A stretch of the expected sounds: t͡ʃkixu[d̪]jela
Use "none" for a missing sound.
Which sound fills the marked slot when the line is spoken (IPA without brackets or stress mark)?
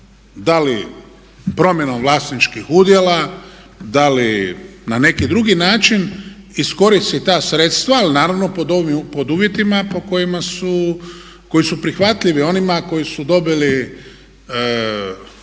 d̪